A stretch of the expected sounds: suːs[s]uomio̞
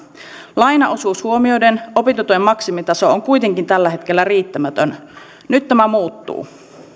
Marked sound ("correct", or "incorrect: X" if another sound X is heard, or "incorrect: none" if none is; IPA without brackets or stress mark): incorrect: h